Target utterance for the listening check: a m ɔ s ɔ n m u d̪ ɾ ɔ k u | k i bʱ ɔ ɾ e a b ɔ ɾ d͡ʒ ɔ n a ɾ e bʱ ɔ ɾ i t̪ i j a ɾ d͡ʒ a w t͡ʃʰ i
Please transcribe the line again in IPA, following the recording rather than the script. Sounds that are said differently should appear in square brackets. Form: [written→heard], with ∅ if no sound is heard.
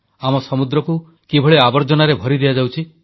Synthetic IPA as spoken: a m ɔ s ɔ [n→∅] m u d̪ ɾ ɔ k u | k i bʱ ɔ [ɾ→ɭ] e a b ɔ ɾ d͡ʒ ɔ n a ɾ e bʱ ɔ ɾ i [t̪→d̪] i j a [ɾ→∅] d͡ʒ a w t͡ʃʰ i